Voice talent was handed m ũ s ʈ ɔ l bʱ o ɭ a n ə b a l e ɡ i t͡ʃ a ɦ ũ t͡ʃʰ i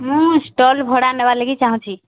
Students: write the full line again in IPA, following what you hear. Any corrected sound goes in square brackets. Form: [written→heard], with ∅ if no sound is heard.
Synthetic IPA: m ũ s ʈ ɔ l bʱ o [ɭ→ɽ] a n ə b a l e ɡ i t͡ʃ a ɦ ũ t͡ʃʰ i